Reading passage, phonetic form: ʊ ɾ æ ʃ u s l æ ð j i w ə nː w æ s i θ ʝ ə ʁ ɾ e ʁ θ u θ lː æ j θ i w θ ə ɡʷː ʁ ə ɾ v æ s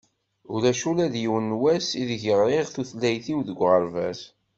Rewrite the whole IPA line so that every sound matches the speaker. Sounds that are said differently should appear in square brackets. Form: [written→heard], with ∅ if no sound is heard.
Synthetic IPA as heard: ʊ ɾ æ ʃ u [s→∅] l æ ð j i w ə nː w æ s i [θ→ð] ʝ ə ʁ ɾ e ʁ θ u θ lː æ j θ i w [θ→ð] ə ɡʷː ʁ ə ɾ v æ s